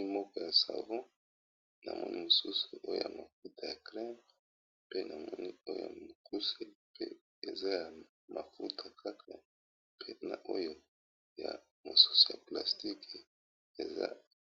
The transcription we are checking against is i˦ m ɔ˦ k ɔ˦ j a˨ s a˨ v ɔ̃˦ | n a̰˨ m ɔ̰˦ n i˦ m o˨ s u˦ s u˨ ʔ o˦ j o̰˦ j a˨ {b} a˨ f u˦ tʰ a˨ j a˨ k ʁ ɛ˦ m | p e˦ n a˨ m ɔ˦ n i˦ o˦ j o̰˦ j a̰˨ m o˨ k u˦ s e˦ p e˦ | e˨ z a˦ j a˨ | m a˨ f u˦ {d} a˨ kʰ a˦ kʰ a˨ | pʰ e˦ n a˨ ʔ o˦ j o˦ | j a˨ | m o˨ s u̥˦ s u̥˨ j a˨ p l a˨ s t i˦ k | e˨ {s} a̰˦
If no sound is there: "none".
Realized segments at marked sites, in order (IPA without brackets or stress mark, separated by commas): m, t, z